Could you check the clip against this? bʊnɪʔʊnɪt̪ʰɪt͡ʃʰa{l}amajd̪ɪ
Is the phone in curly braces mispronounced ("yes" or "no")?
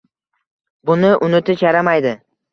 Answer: yes